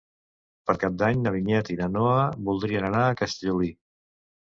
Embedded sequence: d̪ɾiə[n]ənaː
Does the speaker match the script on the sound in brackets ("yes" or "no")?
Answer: yes